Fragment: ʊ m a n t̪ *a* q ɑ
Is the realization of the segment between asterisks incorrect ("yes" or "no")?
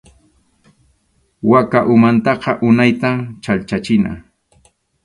yes